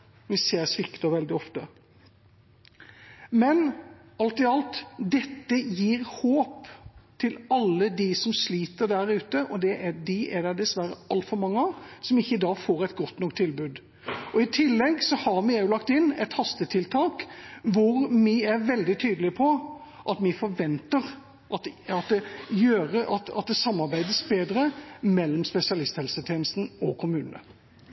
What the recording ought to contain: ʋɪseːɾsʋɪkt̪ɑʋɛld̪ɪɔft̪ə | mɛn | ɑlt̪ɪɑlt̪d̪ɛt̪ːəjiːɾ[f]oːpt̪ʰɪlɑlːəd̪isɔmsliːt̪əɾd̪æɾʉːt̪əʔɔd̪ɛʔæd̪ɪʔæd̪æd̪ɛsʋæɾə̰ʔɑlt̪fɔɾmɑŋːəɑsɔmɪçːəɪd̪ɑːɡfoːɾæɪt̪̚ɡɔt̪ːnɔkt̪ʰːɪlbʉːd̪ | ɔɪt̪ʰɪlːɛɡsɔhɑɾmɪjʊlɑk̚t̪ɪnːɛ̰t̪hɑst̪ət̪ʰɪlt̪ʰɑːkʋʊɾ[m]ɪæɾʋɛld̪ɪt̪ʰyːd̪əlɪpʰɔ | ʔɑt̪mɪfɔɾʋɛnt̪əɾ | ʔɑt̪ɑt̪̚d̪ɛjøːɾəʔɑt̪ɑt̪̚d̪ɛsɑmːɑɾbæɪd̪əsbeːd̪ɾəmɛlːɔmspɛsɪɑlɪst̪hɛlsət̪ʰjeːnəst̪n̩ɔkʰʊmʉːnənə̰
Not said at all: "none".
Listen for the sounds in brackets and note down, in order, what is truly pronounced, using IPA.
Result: h, m

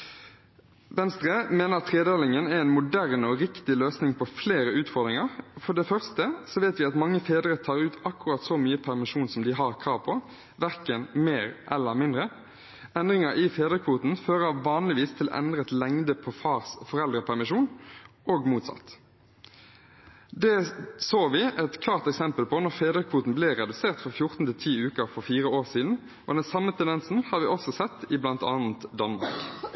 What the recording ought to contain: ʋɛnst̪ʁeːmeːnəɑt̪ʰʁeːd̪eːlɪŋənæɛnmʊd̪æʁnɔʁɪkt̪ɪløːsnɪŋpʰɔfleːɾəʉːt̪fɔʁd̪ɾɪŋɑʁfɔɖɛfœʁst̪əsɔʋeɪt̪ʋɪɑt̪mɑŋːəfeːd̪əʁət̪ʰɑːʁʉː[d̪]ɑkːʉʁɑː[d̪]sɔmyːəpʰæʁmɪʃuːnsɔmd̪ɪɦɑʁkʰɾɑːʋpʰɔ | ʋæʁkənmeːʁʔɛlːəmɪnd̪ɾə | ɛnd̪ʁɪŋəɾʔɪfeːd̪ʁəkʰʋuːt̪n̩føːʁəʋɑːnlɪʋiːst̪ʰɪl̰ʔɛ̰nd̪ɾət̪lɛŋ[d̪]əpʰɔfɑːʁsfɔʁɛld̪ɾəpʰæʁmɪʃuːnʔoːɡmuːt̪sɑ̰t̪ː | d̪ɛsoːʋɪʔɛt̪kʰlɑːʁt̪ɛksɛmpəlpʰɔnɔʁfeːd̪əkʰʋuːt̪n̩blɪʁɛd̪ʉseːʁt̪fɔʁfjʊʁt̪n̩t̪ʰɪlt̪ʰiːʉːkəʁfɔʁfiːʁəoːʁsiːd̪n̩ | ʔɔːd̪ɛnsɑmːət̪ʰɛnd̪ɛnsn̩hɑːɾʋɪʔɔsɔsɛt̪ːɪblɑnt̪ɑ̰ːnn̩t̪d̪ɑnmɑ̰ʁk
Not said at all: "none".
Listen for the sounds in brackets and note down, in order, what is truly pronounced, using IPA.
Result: t̪, t̪, d̪

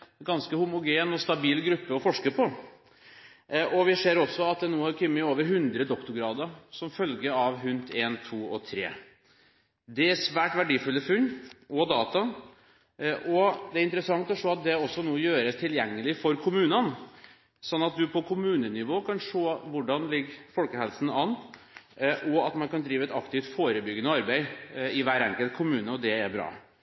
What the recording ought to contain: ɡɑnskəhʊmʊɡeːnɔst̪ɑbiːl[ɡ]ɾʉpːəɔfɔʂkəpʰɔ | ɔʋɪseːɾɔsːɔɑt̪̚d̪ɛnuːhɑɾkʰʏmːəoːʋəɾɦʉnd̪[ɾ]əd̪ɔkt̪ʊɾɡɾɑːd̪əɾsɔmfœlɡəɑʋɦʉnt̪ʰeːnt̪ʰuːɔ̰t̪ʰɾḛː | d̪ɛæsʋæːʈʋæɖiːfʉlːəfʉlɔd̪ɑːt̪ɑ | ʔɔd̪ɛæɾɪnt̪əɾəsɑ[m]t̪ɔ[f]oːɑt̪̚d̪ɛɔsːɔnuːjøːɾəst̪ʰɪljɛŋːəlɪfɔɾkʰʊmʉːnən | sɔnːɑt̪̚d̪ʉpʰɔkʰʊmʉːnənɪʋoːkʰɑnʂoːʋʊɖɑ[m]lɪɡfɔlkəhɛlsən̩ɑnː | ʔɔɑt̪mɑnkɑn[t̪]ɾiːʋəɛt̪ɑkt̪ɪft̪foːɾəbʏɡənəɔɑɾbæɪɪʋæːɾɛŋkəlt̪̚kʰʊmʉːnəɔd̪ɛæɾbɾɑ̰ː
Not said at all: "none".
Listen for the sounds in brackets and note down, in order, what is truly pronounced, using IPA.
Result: ɡ, ɾ, ŋ, ʂ, n, d̪

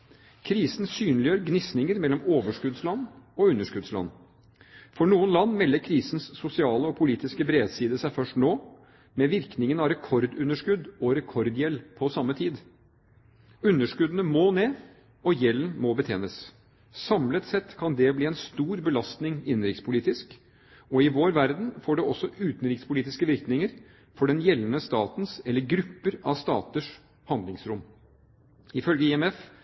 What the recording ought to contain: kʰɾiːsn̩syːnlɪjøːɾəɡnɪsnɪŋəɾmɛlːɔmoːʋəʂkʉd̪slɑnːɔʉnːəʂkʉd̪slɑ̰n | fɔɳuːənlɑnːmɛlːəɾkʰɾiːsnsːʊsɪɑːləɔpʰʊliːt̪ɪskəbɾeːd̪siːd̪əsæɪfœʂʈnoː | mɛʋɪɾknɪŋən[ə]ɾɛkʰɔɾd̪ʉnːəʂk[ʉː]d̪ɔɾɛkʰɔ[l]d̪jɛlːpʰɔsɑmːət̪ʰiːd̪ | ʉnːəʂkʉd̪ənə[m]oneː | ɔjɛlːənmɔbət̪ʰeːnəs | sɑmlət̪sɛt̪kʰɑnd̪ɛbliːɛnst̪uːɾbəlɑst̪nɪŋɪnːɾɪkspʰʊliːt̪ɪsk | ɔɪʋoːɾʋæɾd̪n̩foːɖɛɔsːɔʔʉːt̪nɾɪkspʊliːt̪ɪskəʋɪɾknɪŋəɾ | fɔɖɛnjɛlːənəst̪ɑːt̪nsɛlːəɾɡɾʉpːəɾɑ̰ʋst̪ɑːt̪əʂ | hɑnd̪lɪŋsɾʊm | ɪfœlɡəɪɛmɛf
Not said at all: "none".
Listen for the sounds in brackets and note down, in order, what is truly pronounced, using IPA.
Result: ɑ, ʉ, ɾ, m

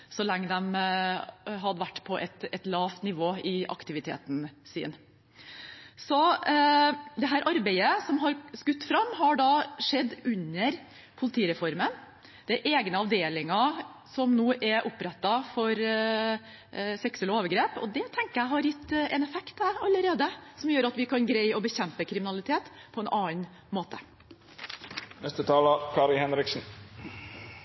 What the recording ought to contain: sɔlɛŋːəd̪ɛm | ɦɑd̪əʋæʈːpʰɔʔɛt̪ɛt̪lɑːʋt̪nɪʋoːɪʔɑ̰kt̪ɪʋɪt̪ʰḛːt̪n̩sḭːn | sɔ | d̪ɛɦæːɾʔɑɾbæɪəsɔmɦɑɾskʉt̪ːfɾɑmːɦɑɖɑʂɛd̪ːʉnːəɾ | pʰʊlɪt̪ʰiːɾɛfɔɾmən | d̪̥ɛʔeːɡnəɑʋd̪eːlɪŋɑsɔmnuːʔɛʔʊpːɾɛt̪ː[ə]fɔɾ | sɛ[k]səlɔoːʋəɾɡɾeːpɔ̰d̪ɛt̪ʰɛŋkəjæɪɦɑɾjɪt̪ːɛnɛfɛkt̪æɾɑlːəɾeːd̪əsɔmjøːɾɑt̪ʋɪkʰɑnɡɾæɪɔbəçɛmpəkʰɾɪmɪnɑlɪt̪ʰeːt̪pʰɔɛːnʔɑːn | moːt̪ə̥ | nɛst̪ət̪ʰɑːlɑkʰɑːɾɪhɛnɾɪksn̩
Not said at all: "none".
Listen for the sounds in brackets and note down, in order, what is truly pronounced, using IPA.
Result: ɑ, k

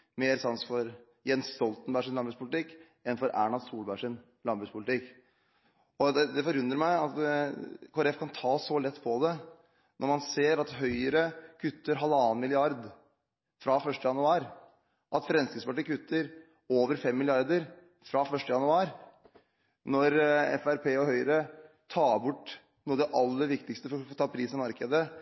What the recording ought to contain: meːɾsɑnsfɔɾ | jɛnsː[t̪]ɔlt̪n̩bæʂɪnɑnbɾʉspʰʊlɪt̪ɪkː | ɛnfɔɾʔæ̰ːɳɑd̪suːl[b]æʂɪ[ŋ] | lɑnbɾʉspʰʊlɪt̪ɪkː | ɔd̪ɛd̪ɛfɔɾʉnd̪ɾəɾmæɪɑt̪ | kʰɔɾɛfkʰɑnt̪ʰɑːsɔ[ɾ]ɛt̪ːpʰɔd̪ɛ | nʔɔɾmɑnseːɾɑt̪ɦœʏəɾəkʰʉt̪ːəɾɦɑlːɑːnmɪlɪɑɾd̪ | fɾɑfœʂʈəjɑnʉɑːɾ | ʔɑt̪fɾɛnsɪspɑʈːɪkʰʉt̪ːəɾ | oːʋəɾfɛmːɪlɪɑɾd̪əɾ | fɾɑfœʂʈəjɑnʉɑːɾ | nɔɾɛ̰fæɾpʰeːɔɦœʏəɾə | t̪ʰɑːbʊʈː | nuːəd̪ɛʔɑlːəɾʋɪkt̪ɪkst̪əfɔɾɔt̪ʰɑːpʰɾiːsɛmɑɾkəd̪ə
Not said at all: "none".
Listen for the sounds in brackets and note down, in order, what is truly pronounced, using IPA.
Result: t̪, b, n, l

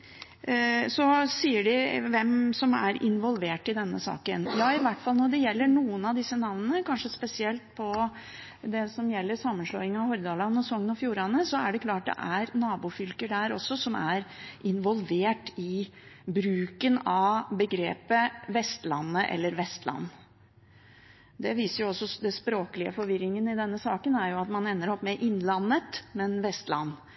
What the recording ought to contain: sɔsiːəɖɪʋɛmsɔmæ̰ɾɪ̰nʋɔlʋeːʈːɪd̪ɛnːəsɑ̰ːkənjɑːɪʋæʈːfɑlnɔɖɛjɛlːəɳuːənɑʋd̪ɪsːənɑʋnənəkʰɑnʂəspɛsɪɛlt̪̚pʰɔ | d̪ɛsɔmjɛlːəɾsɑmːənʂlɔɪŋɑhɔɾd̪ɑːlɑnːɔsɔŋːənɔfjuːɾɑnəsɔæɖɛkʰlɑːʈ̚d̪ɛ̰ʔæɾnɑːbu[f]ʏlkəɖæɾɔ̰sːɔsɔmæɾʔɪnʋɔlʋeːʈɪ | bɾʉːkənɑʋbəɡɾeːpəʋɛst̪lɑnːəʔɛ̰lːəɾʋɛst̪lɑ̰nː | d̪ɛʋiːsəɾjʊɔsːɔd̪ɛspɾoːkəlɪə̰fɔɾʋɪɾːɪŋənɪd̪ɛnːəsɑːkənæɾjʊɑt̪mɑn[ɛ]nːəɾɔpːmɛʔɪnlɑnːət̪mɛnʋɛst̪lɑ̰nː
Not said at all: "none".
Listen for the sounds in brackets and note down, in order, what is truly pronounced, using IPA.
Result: f, ɛ

